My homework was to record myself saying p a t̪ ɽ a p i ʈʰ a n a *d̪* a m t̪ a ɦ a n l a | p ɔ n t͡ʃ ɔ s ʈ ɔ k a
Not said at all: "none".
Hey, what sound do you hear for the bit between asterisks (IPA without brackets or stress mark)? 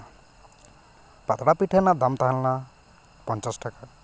d̪